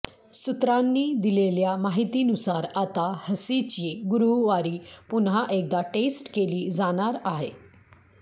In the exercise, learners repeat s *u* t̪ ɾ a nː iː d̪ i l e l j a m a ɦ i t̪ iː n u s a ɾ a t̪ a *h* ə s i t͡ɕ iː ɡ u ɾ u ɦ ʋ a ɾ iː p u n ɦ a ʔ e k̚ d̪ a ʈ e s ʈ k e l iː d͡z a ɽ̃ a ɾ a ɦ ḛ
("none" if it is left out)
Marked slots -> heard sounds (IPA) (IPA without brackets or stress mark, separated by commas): u, h